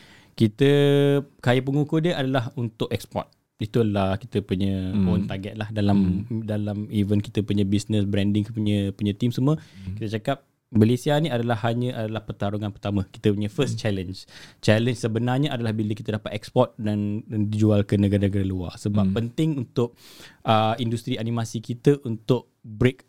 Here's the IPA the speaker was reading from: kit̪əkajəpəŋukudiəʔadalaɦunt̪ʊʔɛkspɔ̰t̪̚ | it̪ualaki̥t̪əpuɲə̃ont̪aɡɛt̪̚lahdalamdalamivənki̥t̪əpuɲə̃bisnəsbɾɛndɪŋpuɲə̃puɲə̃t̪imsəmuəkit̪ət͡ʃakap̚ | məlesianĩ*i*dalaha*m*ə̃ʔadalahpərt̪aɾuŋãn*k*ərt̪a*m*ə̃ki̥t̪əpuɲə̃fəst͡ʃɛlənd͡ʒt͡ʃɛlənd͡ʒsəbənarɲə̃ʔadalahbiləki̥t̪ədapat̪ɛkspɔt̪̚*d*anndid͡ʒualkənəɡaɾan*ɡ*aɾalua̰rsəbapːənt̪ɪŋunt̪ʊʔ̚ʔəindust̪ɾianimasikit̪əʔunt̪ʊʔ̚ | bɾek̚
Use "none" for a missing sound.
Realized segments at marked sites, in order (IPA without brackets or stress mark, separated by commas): a, ɲ, p, m, d, ɡ